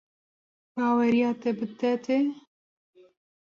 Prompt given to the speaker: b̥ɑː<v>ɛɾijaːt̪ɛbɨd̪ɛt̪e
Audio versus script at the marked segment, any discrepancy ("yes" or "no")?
yes